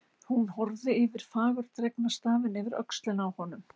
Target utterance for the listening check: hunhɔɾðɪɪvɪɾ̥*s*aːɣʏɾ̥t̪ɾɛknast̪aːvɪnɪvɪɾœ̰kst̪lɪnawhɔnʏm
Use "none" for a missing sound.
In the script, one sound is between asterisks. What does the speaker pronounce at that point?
f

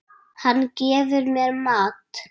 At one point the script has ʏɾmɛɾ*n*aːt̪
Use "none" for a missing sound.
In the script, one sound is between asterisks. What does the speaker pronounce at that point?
m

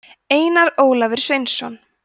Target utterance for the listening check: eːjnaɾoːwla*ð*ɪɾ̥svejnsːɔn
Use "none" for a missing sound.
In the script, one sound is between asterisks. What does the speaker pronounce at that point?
v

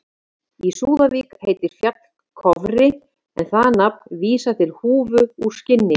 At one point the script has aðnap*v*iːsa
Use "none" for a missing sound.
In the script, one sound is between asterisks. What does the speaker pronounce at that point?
v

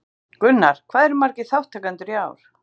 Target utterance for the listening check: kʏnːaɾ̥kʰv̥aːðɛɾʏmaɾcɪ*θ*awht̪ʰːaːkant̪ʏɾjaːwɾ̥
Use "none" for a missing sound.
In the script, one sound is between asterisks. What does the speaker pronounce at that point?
θ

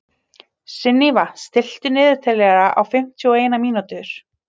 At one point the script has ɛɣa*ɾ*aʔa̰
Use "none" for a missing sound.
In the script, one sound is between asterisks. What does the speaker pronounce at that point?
ɾ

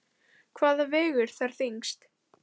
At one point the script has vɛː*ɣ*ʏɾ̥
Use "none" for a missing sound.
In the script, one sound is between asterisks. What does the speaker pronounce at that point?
ɣ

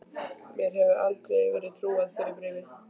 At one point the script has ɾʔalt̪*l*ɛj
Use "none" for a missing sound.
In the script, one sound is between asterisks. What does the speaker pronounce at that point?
ɾ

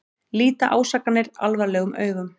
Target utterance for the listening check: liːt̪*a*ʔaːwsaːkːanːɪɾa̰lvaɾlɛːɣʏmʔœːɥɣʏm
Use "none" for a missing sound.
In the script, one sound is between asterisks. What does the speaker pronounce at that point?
a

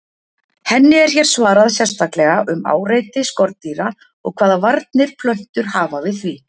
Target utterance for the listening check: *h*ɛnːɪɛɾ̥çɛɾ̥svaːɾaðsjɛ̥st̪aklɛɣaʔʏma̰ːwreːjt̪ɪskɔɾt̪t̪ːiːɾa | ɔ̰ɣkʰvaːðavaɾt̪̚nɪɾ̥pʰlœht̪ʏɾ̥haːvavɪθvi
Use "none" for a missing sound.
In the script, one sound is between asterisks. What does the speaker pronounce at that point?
h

